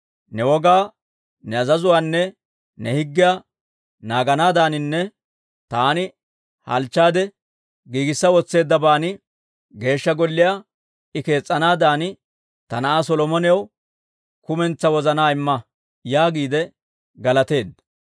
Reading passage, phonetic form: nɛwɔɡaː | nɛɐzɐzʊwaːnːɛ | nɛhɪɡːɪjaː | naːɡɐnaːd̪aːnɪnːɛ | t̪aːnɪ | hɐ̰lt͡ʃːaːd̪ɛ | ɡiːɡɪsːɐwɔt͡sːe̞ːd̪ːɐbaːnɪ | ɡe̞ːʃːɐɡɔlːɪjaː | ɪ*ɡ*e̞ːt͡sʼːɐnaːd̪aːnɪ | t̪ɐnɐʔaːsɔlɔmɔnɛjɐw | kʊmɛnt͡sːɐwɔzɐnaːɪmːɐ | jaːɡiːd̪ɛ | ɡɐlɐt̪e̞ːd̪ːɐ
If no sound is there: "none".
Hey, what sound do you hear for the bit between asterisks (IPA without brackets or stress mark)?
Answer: k